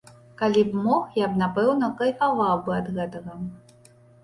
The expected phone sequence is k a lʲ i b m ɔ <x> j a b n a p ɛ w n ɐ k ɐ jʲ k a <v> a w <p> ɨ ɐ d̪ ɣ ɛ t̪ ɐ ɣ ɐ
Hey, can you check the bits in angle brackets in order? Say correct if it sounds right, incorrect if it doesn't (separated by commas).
correct, correct, incorrect